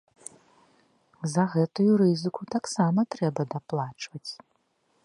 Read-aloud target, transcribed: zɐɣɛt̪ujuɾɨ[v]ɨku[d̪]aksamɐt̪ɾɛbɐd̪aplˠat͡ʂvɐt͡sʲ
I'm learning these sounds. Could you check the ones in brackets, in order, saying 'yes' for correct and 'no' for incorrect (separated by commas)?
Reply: no, no